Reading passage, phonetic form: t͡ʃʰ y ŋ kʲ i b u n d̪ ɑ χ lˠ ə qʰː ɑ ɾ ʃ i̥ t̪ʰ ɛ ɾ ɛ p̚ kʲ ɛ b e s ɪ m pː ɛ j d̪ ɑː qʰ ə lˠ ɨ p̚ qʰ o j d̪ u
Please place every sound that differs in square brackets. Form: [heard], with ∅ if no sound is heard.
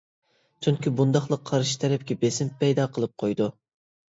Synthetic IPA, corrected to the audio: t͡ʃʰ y ŋ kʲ i b u n d̪ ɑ χ lˠ ə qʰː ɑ ɾ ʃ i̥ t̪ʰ ɛ ɾ ɛ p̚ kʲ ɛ b e s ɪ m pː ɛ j d̪ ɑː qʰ ə lˠ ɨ p̚ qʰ o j d̪ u